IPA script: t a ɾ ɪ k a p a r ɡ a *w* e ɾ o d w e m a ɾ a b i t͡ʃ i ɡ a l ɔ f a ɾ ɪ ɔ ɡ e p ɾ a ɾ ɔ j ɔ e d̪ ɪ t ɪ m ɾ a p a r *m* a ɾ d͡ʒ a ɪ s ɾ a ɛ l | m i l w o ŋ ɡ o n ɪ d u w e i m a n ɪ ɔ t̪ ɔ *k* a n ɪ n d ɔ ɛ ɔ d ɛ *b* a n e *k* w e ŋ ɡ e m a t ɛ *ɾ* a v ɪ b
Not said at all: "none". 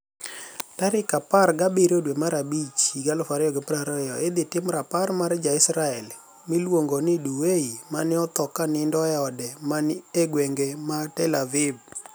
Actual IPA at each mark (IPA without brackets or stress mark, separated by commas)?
b, m, k, m, ɡ, l